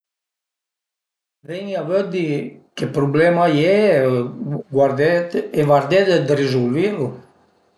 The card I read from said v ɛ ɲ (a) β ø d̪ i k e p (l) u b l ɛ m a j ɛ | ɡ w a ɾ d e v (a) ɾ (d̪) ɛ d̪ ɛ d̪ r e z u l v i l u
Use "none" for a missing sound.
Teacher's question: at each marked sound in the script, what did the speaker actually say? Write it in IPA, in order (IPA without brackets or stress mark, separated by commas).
a, ɾ, a, d̪